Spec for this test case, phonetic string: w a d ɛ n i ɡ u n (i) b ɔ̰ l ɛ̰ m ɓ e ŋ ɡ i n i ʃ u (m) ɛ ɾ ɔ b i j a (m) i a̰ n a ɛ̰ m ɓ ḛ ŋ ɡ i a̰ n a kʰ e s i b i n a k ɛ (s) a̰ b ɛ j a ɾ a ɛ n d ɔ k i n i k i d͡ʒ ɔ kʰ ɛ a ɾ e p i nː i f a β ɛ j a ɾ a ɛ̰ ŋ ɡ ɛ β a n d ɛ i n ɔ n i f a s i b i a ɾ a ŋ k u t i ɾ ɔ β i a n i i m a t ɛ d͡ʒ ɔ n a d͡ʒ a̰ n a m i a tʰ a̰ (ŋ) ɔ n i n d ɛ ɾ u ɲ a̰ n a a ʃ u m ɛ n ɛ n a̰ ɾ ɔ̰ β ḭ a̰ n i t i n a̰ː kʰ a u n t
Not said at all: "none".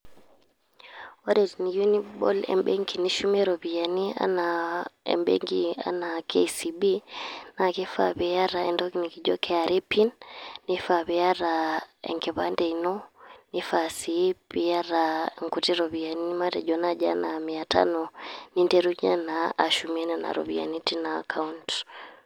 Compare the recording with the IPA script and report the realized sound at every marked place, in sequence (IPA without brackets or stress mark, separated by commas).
i, m, n, f, n